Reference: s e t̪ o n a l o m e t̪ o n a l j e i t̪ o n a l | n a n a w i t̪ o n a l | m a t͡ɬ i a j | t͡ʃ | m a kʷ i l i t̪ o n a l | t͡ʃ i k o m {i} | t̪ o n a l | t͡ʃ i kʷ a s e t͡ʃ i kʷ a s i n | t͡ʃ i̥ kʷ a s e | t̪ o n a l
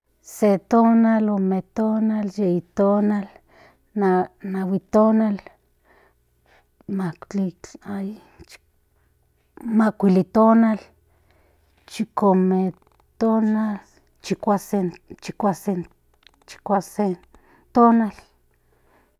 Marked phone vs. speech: incorrect: e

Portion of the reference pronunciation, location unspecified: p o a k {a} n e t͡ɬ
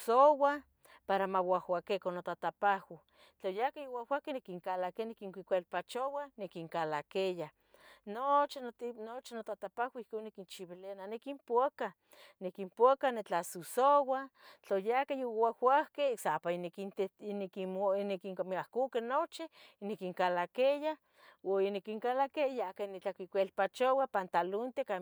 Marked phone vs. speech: correct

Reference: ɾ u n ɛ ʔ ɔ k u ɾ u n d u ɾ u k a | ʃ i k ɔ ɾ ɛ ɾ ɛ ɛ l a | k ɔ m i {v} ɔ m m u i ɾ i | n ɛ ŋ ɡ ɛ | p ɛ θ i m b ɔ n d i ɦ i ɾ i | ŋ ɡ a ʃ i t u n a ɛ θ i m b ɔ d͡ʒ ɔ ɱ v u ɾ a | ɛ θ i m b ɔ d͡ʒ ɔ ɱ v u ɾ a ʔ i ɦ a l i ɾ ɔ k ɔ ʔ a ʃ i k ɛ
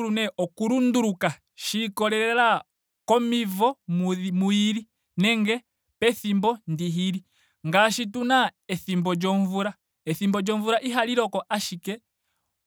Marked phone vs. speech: correct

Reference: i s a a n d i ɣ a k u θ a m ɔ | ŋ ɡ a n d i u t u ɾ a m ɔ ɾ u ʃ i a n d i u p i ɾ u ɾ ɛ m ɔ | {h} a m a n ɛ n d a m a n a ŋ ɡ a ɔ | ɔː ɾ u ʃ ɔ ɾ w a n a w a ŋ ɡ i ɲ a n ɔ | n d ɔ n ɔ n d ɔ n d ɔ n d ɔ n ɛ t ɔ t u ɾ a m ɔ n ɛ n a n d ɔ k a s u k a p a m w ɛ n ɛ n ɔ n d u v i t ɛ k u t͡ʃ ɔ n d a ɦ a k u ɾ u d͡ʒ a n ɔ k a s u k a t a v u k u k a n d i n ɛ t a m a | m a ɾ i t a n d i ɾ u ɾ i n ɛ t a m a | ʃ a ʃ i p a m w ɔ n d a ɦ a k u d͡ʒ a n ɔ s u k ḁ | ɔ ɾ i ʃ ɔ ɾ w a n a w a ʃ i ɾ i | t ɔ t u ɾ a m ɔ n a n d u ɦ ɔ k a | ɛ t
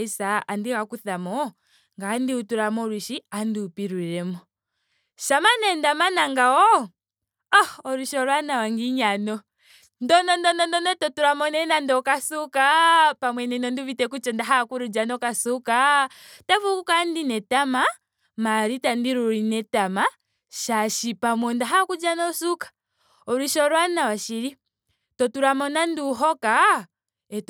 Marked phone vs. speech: incorrect: ʃ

